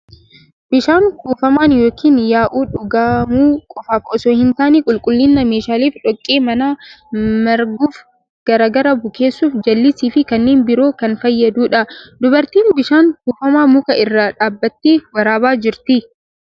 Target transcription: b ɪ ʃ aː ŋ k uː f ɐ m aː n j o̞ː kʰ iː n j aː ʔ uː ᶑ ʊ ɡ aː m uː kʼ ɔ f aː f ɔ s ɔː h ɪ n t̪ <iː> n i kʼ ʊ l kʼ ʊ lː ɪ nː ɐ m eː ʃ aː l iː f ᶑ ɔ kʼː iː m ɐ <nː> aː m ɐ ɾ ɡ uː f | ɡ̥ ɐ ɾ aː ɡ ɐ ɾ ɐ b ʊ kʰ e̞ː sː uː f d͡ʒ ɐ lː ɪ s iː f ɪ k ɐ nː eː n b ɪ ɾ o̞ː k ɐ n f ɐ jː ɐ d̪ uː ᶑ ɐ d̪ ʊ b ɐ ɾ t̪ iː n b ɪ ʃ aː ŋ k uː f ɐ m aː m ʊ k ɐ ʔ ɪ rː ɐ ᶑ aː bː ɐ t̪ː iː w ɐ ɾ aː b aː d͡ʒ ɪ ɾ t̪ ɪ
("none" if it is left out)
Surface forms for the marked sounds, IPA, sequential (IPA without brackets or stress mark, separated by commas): aː, n